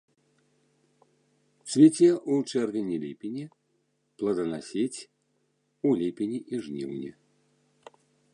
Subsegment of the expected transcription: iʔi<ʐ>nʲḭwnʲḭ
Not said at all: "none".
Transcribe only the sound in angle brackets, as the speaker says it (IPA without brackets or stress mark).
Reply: ʐ